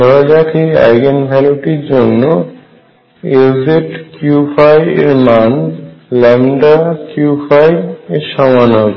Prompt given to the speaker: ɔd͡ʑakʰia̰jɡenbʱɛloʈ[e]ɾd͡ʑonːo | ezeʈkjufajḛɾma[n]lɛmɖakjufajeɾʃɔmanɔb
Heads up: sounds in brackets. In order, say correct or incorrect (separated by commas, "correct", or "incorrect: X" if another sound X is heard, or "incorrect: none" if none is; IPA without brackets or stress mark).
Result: incorrect: i, correct